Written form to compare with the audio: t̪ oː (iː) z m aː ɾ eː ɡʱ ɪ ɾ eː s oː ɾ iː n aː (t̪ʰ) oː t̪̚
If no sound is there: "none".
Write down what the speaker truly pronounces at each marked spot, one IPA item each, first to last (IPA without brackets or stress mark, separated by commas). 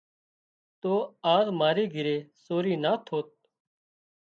aː, t̪ʰ